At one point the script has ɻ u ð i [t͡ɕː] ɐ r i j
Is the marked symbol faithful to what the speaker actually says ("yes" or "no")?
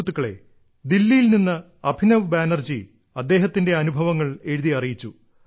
no